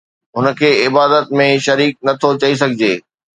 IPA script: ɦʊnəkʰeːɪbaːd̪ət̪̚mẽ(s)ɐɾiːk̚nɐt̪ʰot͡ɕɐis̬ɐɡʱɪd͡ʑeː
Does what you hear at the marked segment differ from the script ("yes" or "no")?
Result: yes